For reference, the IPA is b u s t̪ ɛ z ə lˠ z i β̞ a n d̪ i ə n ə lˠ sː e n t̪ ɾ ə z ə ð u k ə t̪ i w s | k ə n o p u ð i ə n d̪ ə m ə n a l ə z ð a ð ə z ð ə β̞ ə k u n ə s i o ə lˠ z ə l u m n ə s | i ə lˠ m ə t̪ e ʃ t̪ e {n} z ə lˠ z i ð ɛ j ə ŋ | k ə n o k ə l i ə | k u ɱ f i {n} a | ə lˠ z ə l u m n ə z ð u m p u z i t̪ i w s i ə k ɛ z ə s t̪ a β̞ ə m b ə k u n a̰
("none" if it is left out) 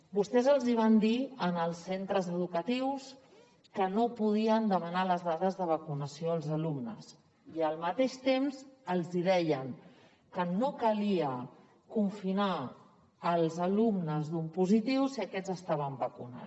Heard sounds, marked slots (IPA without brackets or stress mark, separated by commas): m, n